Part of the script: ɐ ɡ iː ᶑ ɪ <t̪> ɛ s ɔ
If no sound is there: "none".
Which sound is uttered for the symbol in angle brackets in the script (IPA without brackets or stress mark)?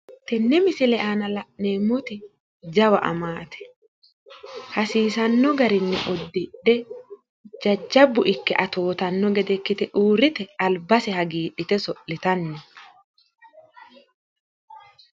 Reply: t̪